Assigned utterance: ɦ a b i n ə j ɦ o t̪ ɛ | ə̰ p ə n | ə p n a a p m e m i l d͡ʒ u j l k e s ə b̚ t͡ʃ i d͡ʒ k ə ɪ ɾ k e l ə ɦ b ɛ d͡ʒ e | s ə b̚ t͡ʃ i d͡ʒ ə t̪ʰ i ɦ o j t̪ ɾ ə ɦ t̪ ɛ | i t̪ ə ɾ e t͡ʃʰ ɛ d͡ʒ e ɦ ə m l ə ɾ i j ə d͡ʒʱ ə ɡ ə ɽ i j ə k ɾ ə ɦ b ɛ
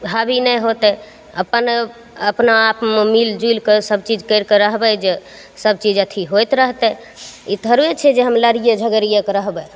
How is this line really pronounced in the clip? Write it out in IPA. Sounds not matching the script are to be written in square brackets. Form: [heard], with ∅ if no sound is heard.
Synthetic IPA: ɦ a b i n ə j ɦ o t̪ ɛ | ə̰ p ə n | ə p n a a p m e m i l d͡ʒ u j l k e s ə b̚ t͡ʃ i d͡ʒ k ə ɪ ɾ k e [ɾ] ə ɦ b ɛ d͡ʒ e | s ə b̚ t͡ʃ i d͡ʒ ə t̪ʰ i ɦ o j t̪ ɾ ə ɦ t̪ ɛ | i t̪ ə ɾ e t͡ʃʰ ɛ d͡ʒ e ɦ ə m l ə ɾ i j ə d͡ʒʱ ə ɡ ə [ɾ] i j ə k ɾ ə ɦ b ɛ